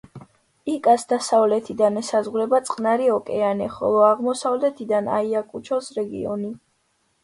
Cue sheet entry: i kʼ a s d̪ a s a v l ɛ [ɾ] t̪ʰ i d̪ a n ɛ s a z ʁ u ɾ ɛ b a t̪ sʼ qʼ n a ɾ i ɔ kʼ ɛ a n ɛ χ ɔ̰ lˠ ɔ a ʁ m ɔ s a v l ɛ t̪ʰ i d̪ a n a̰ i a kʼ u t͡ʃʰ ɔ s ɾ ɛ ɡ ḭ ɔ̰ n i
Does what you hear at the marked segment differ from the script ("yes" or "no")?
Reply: yes